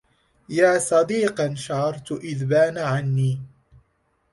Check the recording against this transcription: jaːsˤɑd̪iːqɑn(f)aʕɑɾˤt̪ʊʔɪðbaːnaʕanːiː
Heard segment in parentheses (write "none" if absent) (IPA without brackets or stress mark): ʃ